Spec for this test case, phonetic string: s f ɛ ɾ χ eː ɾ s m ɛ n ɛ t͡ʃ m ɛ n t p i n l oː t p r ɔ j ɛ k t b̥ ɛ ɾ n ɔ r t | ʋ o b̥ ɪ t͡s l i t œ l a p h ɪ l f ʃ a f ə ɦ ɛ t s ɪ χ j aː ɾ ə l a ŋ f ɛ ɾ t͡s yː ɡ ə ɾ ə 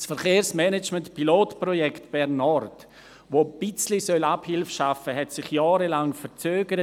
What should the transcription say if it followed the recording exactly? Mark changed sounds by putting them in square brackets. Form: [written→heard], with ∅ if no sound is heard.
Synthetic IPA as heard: s f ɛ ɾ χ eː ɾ s m ɛ n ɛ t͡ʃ m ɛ n t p i [n→∅] l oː t p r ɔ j ɛ k t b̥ ɛ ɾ n ɔ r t | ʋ o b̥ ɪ t͡s l i [t→s] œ l a p h ɪ l f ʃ a f ə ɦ ɛ t s ɪ χ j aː ɾ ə l a ŋ f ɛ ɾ t͡s [yː→øː] ɡ ə ɾ ə